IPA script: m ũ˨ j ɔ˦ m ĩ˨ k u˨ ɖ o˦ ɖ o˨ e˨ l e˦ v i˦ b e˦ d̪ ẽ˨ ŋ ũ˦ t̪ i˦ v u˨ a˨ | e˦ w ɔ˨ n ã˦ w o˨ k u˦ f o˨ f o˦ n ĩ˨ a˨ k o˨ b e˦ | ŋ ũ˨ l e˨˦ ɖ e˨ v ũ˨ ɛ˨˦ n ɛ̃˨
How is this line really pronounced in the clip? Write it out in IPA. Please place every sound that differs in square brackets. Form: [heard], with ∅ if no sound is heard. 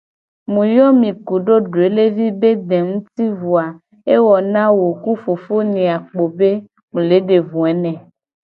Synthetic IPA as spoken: m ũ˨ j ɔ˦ m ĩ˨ k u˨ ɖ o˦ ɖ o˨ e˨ l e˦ v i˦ b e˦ d̪ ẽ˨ ŋ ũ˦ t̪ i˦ v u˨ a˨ | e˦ w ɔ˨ n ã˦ w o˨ k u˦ f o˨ f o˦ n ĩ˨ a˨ [k͡p] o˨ b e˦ | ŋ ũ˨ l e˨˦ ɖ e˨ v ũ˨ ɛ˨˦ n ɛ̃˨